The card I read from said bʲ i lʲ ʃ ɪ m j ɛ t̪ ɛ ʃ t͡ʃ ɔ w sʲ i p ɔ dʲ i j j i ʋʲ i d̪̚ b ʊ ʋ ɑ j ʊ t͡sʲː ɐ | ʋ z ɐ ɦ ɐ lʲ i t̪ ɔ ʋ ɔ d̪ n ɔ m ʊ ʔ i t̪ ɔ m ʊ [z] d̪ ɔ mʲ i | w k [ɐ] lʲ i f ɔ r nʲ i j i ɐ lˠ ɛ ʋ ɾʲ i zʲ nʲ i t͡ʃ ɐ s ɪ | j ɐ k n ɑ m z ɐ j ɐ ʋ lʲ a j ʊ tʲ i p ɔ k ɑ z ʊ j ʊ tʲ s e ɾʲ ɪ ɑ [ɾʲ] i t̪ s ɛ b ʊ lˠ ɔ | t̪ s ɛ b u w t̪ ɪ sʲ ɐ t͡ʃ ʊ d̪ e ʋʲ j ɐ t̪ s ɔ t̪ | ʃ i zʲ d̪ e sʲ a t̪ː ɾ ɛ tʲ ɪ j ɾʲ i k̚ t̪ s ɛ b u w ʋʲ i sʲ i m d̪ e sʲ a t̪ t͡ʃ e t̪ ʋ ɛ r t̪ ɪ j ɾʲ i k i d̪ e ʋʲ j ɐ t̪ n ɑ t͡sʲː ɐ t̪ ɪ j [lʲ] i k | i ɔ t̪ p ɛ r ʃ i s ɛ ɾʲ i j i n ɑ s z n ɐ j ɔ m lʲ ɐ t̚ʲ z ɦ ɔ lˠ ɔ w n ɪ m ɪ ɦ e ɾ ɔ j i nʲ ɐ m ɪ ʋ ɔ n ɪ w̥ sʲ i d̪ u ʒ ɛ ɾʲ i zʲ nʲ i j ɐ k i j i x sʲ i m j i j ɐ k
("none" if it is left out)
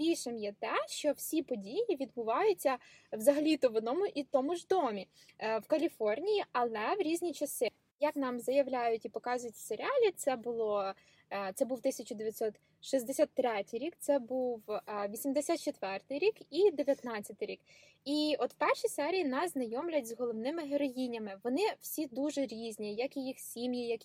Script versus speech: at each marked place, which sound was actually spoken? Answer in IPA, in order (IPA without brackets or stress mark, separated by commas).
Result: ʒ, ɐ, lʲ, ɾʲ